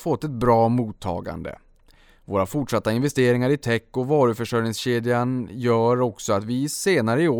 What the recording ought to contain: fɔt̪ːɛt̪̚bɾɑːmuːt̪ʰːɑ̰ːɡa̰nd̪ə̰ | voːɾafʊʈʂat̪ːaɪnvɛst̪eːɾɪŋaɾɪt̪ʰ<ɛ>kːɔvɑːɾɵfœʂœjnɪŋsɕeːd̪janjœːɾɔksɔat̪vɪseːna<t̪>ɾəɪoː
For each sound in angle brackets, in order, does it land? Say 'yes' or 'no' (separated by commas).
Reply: yes, no